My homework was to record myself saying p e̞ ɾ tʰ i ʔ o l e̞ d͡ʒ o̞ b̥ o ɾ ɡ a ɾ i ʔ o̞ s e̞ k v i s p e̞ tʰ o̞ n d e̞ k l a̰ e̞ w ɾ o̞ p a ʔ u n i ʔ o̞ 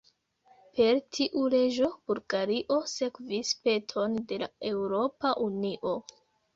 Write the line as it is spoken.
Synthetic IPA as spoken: p e̞ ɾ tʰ i ʔ u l e̞ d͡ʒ o̞ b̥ u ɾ ɡ a ɾ i ʔ o̞ s e̞ k v i s p e̞ tʰ o̞ n d e̞ l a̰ e̞ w ɾ o̞ p a ʔ u n i ʔ o̞

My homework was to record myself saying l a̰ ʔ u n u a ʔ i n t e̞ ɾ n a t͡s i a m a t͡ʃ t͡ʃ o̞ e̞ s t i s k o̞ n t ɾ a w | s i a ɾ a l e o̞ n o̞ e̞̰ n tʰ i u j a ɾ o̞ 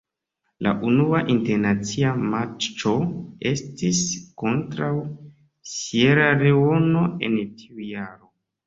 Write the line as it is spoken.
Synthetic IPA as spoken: l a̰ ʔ u n u a ʔ i n t e̞ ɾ n a t͡s i a m a t͡ʃ t͡ʃ o̞ e̞ s t i s k o̞ n t ɾ a w | s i e ɾ a ɾ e o̞ n o̞ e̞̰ n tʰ i u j a ɾ o̞

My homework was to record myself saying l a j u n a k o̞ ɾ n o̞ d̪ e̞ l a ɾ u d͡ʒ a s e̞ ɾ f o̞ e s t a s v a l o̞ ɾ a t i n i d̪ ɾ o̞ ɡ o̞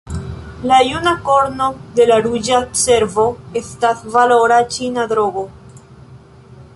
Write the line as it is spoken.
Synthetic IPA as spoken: l a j u n a k o̞ ɾ n o̞ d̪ e̞ l a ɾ u d͡ʒ a s e̞ ɾ v o̞ e s t a s v a l o̞ ɾ a t͡ʃ i n a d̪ ɾ o̞ ɡ o̞

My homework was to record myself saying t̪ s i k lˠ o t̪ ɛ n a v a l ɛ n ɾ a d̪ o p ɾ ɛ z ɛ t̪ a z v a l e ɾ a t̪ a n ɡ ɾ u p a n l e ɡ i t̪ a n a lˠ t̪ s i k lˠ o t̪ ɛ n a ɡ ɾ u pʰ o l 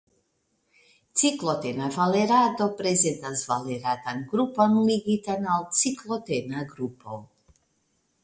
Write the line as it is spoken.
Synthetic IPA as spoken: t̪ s i k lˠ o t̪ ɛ n a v a l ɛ ɾ a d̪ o p ɾ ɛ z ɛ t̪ a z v a l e ɾ a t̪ a n ɡ ɾ u p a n l i ɡ i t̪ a n a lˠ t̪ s i k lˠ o t̪ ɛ n a ɡ ɾ u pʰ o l

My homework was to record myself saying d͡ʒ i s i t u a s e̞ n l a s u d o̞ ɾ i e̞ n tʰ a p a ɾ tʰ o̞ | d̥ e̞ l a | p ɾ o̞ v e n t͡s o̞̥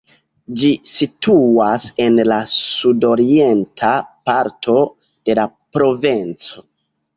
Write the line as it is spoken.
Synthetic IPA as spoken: d͡ʒ i s i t u a s e̞ n l a s u d o̞ ɾ i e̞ n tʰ a p a ɾ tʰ o̞ | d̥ e̞ l a | p ɾ o̞ v e n t͡s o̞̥

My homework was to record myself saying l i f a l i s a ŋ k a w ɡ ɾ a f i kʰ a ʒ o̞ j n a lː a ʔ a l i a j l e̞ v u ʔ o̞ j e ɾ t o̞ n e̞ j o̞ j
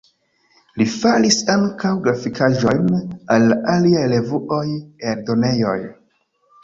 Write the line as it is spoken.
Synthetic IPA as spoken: l i f a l i s a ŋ k a w ɡ ɾ a f i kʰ a ʒ o̞ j n a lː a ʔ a l i a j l e̞ v u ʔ o̞ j e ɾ d o̞ n e̞ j o̞ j

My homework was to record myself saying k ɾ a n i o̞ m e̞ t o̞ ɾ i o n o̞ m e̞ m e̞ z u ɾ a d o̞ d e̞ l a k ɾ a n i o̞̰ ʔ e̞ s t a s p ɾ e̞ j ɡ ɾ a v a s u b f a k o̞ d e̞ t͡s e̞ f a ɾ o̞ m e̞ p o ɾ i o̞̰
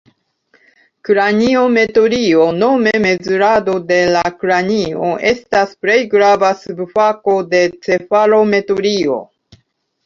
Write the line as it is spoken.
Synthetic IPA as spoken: k ɾ a n i o̞ m e̞ t o̞ ɾ i o n o̞ m e̞ m e̞ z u ɾ a d o̞ d e̞ l a k ɾ a n i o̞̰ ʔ e̞ s t a s p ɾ e̞ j ɡ ɾ a v a s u b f a k o̞ d e̞ t͡s e̞ f a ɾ o̞ m e̞ t o ɾ i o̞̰

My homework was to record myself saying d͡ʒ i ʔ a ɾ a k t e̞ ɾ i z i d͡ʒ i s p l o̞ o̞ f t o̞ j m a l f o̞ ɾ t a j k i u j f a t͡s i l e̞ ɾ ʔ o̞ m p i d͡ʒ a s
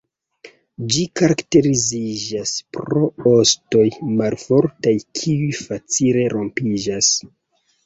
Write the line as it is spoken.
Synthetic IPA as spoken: d͡ʒ i k a ɾ a k t e̞ ɾ i z i d͡ʒ a s p ɾ o̞ o̞ s t o̞ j m a l f o̞ ɾ t a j kʰ i u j f a t͡s i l e̞ ɾ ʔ o̞ m p i d͡ʒ a s

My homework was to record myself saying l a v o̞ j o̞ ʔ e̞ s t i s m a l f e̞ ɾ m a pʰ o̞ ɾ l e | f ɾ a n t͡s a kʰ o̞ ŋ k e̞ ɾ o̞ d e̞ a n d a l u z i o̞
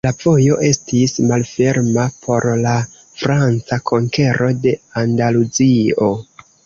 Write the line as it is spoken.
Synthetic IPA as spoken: l a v o̞ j o̞ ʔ e̞ s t i s m a l f e̞ ɾ m a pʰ o̞ ɾ l a | f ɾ a n t͡s a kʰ o̞ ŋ k e̞ ɾ o̞ d e̞ a n d a l u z i o̞

